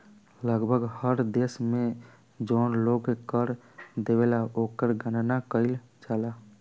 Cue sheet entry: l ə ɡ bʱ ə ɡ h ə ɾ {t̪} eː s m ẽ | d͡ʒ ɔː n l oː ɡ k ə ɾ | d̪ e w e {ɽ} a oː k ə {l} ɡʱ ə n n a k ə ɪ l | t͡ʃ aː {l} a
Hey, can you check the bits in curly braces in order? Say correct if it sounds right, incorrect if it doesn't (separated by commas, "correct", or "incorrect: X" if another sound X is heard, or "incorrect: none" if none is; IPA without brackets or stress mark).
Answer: incorrect: d̪, incorrect: l, incorrect: ɾ, correct